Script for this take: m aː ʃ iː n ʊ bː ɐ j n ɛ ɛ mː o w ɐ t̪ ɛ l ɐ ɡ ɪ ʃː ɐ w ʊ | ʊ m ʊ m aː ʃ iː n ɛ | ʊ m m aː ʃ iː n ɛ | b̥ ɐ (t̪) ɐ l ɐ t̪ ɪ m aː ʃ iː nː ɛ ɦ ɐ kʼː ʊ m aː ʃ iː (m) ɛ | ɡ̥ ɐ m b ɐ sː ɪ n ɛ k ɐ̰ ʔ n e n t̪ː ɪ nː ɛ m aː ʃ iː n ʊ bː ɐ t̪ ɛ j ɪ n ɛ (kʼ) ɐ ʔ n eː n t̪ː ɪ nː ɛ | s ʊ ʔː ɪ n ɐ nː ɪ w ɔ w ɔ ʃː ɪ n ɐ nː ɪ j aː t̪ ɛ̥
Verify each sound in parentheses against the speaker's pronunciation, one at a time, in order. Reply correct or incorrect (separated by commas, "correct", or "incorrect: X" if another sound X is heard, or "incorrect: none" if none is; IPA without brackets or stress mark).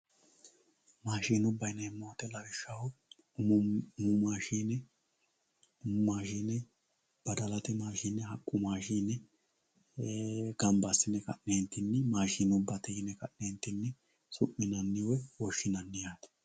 incorrect: d̪, incorrect: n, incorrect: k